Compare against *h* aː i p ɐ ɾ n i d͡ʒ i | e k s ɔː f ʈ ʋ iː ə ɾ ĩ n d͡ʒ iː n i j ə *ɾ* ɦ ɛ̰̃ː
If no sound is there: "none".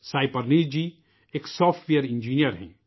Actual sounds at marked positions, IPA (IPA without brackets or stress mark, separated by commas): s, ɾ